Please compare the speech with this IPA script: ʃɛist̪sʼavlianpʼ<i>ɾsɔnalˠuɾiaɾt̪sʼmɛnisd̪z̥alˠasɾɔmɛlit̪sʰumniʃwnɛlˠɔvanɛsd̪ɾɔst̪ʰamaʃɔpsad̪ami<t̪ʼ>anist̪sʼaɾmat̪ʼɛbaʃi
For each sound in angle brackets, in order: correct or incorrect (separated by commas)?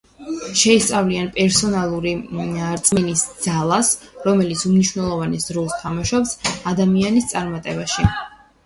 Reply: incorrect, incorrect